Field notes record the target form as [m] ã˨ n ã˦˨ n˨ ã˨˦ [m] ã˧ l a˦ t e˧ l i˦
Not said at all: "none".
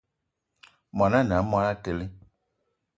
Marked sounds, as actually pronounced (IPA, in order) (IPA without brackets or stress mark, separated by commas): m, m